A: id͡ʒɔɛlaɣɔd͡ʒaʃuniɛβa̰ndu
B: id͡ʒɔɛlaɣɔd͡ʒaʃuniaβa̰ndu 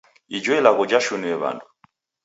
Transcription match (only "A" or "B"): A